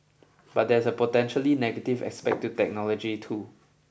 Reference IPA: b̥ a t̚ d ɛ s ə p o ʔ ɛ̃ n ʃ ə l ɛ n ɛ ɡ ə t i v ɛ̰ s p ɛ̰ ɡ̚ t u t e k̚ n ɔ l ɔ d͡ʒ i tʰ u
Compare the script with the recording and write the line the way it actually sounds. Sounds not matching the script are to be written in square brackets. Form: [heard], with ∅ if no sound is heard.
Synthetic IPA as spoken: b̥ a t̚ d ɛ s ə p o [t] ɛ̃ n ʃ ə l [i] n ɛ ɡ ə t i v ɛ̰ s p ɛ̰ [k̚] t u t [ɛ] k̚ n ɔ l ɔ d͡ʒ i tʰ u